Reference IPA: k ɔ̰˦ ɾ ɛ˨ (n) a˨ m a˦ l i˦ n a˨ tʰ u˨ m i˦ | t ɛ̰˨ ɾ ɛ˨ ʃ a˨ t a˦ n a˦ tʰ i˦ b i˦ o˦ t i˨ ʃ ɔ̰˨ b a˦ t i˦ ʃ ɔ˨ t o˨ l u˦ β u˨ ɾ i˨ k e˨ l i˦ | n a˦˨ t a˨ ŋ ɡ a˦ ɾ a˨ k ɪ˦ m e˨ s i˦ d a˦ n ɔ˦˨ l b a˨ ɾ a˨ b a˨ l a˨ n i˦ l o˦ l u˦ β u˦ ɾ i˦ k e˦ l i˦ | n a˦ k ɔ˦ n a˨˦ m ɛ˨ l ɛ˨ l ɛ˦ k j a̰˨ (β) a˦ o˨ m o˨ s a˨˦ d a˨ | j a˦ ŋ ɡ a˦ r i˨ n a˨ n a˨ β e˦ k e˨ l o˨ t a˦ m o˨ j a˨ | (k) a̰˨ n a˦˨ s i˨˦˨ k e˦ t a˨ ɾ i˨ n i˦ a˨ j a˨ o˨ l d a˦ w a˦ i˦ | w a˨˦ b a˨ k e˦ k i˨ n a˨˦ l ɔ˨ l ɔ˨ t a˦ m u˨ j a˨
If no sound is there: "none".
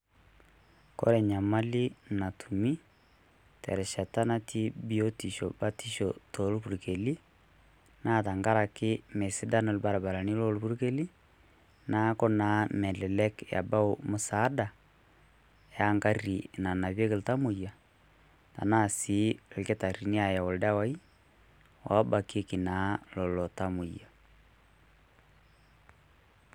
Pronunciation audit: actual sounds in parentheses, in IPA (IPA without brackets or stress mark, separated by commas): ɲ, b, t